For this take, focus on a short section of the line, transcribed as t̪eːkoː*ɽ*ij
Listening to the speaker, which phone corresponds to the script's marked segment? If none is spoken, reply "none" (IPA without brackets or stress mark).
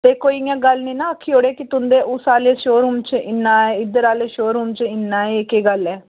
none